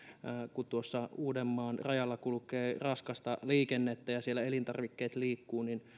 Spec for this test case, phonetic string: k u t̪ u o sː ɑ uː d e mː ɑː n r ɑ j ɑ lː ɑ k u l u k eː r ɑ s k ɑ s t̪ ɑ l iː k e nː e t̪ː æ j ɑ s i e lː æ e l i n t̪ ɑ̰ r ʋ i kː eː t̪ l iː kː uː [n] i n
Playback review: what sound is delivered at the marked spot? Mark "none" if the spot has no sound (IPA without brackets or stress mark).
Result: n